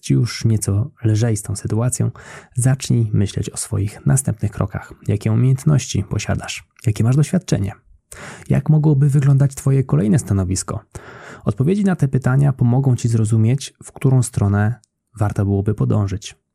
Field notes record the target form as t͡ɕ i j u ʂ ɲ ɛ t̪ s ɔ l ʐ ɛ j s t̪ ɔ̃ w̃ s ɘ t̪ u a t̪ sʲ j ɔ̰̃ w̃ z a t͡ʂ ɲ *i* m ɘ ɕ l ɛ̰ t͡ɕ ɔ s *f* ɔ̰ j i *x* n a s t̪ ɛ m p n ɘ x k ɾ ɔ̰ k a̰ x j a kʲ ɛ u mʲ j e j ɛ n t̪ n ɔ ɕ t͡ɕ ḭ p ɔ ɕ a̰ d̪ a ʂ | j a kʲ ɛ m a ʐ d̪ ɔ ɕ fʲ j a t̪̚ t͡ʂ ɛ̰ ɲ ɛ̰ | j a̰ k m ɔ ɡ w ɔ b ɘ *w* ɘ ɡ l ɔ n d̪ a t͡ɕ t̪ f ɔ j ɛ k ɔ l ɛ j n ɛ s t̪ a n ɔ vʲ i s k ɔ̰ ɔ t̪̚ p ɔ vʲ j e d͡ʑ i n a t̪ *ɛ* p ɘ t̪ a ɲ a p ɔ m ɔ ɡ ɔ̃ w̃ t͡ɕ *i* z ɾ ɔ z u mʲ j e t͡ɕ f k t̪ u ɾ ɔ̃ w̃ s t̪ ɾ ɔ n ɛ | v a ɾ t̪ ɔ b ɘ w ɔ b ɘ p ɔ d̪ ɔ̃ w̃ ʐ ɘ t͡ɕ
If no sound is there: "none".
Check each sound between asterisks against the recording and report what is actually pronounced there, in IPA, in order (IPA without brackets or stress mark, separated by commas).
i, f, x, v, ɛ, i